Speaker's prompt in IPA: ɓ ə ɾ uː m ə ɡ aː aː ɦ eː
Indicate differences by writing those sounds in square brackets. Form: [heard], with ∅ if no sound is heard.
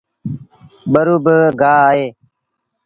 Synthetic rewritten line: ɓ ə ɾ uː [b] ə ɡ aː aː ɦ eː